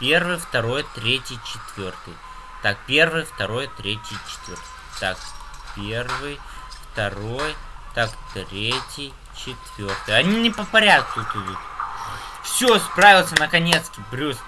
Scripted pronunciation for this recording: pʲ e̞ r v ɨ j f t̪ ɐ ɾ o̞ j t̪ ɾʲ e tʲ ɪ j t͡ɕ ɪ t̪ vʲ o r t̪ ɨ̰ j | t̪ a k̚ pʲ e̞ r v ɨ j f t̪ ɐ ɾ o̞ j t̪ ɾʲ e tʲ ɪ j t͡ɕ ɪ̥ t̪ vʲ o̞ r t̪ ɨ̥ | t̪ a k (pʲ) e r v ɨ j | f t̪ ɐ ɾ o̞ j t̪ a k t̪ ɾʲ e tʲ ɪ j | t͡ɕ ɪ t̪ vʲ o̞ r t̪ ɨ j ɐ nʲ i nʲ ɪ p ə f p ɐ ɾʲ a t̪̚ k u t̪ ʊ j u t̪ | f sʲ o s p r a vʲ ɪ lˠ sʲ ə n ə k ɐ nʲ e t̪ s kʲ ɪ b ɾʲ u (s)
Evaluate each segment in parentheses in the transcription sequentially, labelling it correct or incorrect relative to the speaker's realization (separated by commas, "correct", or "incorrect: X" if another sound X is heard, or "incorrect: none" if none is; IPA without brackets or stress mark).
correct, correct